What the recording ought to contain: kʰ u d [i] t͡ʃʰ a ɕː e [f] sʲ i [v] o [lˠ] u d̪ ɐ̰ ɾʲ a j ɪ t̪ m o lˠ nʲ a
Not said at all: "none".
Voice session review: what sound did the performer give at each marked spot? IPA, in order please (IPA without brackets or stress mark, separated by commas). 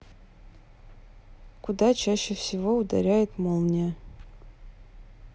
a, f, v, none